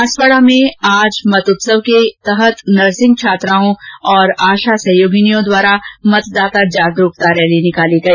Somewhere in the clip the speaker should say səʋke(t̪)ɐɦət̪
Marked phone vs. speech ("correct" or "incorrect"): correct